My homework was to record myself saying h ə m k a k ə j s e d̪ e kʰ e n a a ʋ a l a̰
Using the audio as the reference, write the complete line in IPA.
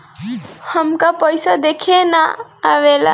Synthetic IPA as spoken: h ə m k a p ə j s a d̪ e kʰ e n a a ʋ e l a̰